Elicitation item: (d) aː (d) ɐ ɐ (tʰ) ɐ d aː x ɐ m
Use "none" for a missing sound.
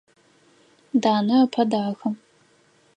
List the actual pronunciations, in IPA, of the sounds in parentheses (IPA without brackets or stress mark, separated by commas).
d, n, pʰ